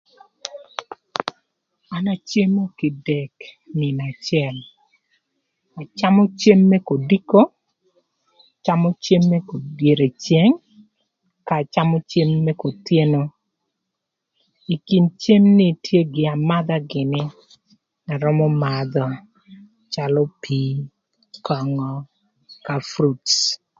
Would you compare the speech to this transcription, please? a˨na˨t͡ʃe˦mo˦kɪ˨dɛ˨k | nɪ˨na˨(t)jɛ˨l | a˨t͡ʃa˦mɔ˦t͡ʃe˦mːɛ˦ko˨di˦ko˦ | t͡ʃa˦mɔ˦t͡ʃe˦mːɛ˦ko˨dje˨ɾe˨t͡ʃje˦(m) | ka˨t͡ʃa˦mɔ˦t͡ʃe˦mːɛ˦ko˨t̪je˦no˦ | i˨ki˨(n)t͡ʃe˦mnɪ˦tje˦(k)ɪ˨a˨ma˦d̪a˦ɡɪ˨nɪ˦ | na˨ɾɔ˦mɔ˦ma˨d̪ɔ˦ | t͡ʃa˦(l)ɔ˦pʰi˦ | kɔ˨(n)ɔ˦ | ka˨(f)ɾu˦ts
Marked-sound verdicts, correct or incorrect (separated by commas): incorrect, incorrect, correct, incorrect, correct, incorrect, correct